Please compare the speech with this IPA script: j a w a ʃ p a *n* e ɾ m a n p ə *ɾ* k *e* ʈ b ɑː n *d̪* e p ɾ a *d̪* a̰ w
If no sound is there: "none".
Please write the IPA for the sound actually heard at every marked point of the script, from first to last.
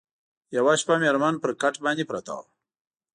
m, ɾ, a, d̪, t̪

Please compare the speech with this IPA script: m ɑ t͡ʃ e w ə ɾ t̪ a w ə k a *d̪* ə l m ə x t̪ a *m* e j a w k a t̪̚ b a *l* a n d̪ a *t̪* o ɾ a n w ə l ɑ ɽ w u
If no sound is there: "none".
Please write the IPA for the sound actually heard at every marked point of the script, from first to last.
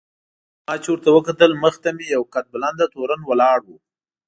t̪, m, l, t̪

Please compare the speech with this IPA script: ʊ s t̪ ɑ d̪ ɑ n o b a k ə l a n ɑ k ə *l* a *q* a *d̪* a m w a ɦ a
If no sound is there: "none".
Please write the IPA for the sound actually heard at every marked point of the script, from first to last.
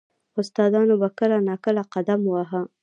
l, q, d̪

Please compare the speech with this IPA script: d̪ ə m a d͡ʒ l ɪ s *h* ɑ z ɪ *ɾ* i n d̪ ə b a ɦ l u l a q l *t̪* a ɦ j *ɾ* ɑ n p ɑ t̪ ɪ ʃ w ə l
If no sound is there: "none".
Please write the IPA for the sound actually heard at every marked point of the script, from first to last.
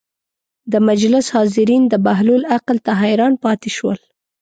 h, ɾ, t̪, ɾ

